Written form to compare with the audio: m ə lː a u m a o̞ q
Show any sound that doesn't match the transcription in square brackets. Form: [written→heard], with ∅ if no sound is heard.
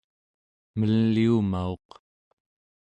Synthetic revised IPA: m ə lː [a→i] u m a o̞ q